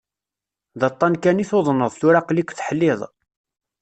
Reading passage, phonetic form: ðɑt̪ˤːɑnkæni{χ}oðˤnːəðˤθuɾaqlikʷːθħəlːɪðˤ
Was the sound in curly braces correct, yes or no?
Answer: no